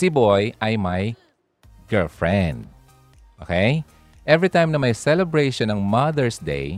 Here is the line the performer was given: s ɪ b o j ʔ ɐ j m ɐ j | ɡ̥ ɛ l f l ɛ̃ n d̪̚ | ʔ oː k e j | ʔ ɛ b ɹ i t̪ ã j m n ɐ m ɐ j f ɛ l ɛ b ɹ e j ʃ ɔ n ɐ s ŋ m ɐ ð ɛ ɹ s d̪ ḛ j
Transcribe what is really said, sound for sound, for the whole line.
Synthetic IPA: s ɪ b o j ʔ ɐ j m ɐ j | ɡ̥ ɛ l f ɹ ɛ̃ n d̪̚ | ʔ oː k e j | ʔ ɛ v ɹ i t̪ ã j m n ɐ m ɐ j s ɛ l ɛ b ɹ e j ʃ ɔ n ɐ ŋ m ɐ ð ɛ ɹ s d̪ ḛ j